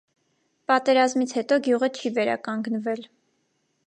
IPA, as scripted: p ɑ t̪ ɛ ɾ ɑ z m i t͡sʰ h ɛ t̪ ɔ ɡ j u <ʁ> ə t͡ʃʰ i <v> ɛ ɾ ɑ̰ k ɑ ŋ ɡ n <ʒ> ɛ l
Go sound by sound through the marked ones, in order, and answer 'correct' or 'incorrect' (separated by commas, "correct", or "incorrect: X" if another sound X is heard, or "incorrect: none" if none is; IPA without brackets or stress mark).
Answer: correct, correct, incorrect: v